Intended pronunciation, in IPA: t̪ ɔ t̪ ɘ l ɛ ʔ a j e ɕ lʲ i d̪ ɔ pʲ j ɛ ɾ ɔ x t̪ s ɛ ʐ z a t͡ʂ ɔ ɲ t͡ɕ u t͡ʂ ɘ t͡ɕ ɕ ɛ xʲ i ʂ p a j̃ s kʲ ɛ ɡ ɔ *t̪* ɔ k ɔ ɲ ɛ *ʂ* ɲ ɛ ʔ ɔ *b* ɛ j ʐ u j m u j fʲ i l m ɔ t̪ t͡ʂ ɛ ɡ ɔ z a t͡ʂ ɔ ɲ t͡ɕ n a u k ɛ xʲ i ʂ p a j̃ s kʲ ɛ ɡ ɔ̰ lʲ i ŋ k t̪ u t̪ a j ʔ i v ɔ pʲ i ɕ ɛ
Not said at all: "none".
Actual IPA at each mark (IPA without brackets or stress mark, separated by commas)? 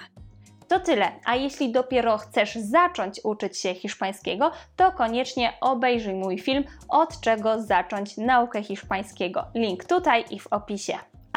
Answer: t̪, t͡ʂ, b